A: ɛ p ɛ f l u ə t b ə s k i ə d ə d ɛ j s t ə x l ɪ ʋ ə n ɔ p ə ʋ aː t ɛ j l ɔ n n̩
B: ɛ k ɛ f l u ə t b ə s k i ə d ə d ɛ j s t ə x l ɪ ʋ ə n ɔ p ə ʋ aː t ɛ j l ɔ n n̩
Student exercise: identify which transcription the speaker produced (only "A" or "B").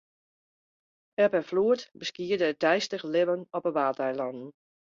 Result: A